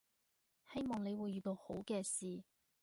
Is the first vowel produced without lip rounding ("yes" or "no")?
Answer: yes